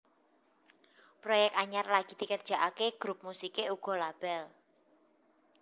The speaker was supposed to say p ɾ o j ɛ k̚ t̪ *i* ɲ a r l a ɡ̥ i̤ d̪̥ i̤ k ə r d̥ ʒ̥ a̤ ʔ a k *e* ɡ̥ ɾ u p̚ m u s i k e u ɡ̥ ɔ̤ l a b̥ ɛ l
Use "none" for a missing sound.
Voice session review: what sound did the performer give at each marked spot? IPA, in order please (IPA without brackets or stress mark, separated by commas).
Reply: a, e